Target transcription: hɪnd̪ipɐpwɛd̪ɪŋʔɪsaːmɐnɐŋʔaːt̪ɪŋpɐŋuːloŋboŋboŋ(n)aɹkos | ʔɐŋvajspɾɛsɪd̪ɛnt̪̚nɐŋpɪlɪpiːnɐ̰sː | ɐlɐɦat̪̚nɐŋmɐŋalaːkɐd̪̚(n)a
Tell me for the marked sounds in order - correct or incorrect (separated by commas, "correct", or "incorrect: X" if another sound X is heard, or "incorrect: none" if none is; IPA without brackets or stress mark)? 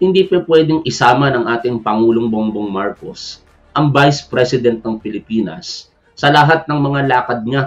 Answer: incorrect: m, incorrect: ɲ